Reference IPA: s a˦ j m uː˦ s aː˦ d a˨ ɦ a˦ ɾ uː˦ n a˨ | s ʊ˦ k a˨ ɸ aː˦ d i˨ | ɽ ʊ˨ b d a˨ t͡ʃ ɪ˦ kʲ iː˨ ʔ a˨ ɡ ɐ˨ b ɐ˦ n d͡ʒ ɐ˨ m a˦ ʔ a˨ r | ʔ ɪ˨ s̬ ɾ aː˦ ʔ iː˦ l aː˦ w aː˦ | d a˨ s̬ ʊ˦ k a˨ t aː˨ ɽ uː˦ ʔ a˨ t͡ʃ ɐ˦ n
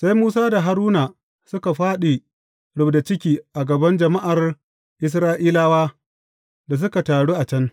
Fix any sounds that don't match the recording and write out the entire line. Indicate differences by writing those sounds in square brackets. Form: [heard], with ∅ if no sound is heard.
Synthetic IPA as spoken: s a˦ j m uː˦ s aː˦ d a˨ ɦ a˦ ɾ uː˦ n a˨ | s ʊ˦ k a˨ ɸ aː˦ [ɗ] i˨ | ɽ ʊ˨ b d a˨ t͡ʃ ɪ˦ kʲ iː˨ ʔ a˨ ɡ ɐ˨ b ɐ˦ n d͡ʒ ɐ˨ m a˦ ʔ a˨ r | ʔ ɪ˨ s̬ ɾ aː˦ ʔ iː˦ l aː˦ w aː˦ | d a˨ s̬ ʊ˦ k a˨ t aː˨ ɽ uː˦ ʔ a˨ t͡ʃ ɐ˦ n